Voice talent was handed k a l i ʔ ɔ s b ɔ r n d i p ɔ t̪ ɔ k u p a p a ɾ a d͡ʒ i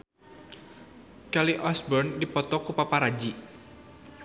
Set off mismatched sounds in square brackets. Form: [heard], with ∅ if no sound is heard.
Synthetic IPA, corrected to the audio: k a l i ʔ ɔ s b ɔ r n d i p ɔ t̪ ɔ k u p a p a ɾ a d͡ʒ i